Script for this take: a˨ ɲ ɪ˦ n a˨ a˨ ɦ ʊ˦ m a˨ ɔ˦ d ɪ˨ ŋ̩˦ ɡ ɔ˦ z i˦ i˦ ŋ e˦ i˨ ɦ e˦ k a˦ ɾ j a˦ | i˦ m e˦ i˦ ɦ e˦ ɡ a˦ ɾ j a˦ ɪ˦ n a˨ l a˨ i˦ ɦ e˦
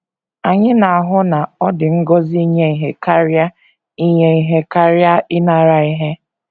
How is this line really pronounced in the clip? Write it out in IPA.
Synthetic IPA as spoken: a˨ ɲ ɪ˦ n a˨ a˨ ɦ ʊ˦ n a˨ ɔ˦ d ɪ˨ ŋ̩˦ ɡ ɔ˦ z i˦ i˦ ɲ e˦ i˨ ɦ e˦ k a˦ ɾ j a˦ | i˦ ɲ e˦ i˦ ɦ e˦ k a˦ ɾ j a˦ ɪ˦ n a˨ ɾ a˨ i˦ ɦ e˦